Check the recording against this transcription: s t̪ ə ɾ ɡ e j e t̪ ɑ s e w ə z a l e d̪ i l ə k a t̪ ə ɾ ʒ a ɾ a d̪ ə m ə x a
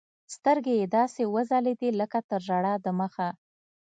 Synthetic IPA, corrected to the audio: s t̪ ə ɾ ɡ e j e d̪ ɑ s e w ə z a l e d̪ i l ə k a t̪ ə ɾ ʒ a ɽ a d̪ ə m ə x a

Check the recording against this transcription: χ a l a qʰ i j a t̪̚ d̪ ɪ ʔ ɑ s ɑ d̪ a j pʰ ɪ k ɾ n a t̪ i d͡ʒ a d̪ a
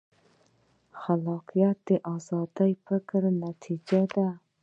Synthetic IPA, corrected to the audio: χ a l ɑ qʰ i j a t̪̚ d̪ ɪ ʔ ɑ z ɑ d̪ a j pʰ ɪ k ɾ n a t̪ʰ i d͡ʒ a d̪ a

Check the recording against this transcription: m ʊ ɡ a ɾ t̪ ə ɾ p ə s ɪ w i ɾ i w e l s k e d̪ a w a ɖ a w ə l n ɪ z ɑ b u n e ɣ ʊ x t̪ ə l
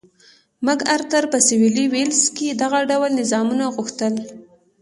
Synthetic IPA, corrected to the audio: m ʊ ɡ a ɾ t̪ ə ɾ p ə s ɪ w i l i w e l s k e d̪ a ɣ a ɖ a w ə l n ɪ z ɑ m u n a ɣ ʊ x t̪ ə l

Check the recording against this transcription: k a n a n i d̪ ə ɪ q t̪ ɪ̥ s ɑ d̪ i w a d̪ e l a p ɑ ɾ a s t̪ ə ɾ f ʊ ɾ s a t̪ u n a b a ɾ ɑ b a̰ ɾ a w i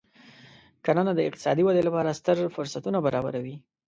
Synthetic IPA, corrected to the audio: k a n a n a d̪ ə ɪ q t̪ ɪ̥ s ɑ d̪ i w a d̪ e l a p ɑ ɾ a s t̪ ə ɾ f ʊ ɾ s a t̪ u n a b a ɾ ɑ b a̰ ɾ a w i

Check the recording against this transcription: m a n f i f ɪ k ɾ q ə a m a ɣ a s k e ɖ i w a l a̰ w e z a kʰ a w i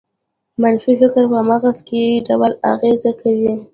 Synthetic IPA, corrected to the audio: m a n f i f ɪ k ɾ p ə a m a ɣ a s k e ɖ a w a l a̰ ɣ e z a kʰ a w i

